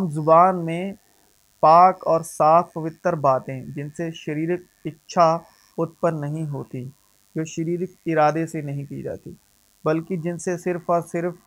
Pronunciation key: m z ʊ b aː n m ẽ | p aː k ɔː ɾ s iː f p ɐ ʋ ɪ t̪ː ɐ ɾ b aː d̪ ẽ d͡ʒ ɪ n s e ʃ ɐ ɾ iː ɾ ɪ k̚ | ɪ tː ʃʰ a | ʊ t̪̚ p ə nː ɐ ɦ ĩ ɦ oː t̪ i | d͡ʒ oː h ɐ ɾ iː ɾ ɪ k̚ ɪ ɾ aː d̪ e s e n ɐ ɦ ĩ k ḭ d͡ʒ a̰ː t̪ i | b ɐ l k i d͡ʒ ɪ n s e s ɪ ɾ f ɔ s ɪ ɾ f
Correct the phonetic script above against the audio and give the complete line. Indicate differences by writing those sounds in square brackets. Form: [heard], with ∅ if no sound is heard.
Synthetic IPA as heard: m z ʊ b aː n m ẽ | p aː k ɔː ɾ s [aː] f p ɐ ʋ ɪ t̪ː [ə] ɾ b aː [t̪] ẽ d͡ʒ ɪ n s e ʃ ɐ ɾ iː ɾ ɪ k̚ | ɪ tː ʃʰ a | ʊ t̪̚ p ə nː ɐ ɦ ĩ ɦ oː t̪ i | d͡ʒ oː [ʃ] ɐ ɾ iː ɾ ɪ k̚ ɪ ɾ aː d̪ e s e n ɐ ɦ ĩ k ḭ d͡ʒ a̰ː t̪ i | b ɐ l k i d͡ʒ ɪ n s e s ɪ ɾ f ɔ s ɪ ɾ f